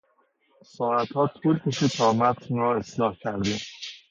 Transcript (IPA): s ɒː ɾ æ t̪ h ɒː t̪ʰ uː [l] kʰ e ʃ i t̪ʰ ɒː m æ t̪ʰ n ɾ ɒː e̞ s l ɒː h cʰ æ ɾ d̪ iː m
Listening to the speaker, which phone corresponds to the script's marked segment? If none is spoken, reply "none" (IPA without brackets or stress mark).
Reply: l